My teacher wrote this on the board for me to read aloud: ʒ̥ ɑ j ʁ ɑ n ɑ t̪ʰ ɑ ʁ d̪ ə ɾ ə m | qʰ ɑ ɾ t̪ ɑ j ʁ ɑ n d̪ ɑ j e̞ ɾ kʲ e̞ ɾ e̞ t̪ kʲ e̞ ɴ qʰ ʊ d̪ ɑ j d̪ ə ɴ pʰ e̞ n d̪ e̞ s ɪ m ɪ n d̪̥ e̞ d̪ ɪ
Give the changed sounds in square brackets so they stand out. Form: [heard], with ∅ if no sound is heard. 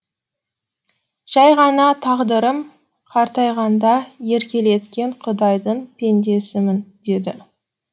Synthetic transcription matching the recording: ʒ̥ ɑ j ʁ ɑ n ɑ t̪ʰ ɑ ʁ d̪ ə ɾ ə m | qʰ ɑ ɾ t̪ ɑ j ʁ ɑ n d̪ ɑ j e̞ ɾ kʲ e̞ [l] e̞ t̪ kʲ e̞ ɴ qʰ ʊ d̪ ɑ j d̪ ə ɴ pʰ e̞ n d̪ e̞ s ɪ m ɪ n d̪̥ e̞ d̪ ɪ